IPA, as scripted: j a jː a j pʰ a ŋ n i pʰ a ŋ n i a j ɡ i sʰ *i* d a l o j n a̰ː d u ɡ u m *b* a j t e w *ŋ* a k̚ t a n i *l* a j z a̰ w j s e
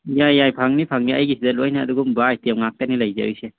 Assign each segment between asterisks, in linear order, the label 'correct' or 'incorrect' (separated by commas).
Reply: correct, correct, correct, correct